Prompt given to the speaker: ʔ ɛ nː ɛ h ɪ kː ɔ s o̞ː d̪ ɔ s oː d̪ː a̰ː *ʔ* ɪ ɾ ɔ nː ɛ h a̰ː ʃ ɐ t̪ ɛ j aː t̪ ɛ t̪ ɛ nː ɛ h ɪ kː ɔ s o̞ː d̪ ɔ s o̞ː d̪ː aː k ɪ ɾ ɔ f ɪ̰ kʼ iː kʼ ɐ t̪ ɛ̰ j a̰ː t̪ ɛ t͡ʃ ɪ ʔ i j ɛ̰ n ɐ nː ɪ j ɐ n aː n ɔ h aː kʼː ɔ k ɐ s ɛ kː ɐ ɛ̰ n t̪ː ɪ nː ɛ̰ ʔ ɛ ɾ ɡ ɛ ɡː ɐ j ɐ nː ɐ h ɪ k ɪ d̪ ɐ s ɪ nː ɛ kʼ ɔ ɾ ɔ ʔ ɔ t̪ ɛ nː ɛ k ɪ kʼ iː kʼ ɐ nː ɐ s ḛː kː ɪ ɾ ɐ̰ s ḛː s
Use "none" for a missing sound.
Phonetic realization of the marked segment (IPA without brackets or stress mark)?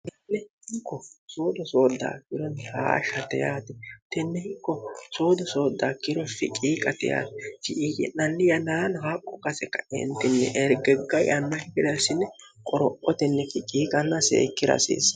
k